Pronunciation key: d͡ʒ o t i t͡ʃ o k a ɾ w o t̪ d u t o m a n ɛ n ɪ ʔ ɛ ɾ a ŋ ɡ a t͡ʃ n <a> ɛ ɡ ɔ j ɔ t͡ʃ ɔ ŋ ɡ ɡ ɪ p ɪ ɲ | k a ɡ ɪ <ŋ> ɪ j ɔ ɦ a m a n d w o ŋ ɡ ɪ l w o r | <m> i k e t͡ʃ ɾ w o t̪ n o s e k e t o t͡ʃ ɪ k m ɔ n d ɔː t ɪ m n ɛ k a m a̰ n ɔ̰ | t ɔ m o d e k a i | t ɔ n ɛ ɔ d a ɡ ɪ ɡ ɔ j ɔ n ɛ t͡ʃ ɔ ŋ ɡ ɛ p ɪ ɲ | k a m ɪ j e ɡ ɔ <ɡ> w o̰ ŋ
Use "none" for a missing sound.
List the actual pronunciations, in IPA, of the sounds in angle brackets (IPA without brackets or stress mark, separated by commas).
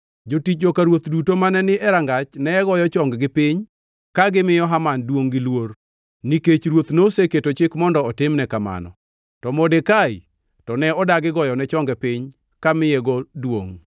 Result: ɛ, m, n, d